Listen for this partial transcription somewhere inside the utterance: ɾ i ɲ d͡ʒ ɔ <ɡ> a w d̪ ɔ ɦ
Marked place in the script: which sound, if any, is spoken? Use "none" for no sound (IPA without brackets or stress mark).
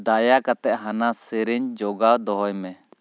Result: ɡ